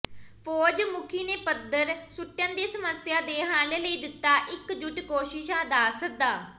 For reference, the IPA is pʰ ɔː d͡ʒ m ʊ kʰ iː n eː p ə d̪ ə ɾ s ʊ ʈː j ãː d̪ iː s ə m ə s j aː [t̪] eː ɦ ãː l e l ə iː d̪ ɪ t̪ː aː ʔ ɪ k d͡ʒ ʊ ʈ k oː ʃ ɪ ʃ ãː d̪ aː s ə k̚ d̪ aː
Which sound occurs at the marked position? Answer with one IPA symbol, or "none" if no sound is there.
d̪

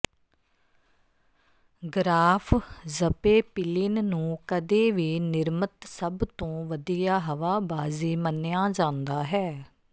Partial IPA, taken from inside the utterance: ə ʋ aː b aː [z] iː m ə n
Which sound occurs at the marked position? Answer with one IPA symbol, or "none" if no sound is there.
z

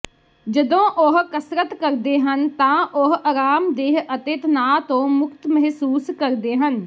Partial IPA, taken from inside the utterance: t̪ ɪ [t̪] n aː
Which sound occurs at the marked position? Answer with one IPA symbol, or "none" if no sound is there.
t̪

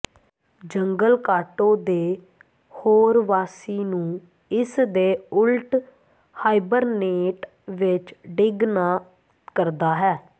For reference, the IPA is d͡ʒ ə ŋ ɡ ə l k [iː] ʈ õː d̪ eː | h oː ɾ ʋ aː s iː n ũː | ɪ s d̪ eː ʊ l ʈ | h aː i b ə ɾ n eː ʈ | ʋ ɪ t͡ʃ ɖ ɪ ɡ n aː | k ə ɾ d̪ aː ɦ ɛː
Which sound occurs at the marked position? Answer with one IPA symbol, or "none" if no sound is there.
aː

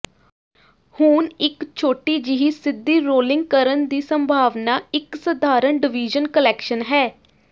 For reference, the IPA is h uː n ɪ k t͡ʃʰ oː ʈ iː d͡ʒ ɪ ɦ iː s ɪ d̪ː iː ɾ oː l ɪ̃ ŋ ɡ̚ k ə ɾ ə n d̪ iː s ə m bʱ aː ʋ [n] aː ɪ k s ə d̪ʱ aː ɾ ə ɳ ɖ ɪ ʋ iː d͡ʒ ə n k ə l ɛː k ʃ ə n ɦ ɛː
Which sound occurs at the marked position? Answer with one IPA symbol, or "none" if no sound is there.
n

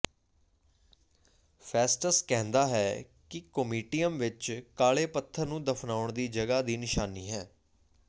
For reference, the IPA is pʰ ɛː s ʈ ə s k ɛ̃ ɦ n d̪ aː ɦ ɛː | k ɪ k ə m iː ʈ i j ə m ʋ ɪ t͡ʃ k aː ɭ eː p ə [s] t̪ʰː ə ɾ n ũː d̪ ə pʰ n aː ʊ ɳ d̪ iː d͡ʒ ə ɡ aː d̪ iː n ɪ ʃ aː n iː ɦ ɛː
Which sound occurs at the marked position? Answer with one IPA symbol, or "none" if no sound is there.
none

